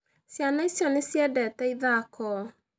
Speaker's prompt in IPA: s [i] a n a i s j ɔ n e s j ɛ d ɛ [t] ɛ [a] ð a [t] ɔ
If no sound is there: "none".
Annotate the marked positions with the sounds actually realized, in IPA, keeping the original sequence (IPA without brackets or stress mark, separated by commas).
j, t, i, k